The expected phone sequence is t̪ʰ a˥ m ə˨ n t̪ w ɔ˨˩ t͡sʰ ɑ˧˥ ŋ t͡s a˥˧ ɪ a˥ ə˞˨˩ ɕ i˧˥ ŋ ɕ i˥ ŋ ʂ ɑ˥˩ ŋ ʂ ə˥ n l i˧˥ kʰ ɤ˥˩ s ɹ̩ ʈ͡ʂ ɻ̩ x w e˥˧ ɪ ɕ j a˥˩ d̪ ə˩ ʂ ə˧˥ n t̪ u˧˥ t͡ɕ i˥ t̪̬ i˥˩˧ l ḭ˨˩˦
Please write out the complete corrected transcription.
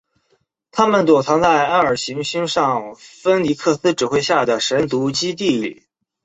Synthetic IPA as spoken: t̪ʰ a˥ m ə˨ n t̪ w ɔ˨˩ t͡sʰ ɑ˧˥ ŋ t͡s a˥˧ ɪ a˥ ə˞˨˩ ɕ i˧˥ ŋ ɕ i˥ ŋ ʂ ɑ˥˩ ŋ f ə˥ n l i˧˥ kʰ ɤ˥˩ s ɹ̩ ʈ͡ʂ ɻ̩ x w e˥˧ ɪ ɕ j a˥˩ d̪ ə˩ ʂ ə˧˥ n t̪ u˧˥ t͡ɕ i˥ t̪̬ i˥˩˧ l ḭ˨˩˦